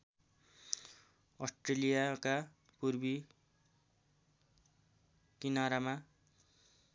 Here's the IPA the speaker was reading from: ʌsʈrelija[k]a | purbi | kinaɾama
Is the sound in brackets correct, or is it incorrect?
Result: correct